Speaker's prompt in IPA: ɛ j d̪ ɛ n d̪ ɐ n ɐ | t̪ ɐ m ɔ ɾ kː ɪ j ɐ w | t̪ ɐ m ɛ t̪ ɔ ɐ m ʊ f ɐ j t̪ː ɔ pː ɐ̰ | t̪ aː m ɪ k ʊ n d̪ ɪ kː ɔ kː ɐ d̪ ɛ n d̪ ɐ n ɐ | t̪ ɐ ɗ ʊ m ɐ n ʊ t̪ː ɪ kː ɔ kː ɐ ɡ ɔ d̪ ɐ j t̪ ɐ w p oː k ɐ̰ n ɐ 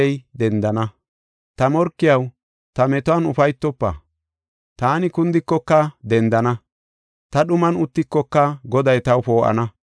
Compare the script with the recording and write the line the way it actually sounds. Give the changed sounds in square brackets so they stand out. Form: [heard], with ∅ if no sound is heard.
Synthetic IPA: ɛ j d̪ ɛ n d̪ ɐ n ɐ | t̪ ɐ m ɔ ɾ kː ɪ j ɐ w | t̪ ɐ m ɛ t̪ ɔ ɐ [n] ʊ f ɐ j t̪ː ɔ pː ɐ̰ | t̪ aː [n] ɪ k ʊ n d̪ ɪ kː ɔ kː ɐ d̪ ɛ n d̪ ɐ n ɐ | t̪ ɐ ɗ ʊ m ɐ n ʊ t̪ː ɪ kː ɔ kː ɐ ɡ ɔ d̪ ɐ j t̪ ɐ w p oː [ʔ] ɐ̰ n ɐ